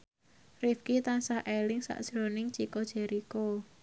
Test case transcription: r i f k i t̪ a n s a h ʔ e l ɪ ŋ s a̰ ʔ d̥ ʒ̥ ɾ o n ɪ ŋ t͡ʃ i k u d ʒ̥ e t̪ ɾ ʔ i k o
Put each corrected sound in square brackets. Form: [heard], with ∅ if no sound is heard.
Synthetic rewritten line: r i f k i t̪ a n s a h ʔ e l ɪ ŋ s a̰ ʔ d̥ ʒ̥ ɾ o n ɪ ŋ t͡ʃ i k [o] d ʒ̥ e [∅] ɾ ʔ i k o